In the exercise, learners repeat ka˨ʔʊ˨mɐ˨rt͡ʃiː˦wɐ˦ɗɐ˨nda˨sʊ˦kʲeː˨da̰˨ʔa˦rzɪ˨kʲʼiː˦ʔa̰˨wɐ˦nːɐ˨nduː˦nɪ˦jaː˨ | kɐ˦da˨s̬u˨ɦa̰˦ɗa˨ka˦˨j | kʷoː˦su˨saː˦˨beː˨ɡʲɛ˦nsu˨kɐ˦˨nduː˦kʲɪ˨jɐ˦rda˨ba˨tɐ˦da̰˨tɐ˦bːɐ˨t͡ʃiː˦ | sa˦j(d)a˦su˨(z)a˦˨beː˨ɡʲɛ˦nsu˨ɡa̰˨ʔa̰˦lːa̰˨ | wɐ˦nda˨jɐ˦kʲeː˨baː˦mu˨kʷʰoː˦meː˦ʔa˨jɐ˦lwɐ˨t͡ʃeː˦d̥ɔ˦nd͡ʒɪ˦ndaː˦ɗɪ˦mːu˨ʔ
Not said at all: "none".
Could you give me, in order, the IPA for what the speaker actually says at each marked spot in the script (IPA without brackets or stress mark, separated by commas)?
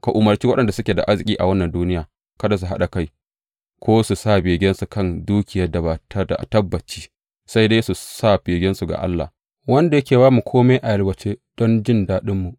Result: d, s